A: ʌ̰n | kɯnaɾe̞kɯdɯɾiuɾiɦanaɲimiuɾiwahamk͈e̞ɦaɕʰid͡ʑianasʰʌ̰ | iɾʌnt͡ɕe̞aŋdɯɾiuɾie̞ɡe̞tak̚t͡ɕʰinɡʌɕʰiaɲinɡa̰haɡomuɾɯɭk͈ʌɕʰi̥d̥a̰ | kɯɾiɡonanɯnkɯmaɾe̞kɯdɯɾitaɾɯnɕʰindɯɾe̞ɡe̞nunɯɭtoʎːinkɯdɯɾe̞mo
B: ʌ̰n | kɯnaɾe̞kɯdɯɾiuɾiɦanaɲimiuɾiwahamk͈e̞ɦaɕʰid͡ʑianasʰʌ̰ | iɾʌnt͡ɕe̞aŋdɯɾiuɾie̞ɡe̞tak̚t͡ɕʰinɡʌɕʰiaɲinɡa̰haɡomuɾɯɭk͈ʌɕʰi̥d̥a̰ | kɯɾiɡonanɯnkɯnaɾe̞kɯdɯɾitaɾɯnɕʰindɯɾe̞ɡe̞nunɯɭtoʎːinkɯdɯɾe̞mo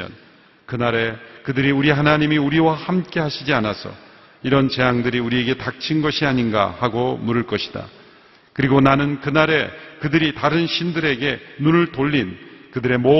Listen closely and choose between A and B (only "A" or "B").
B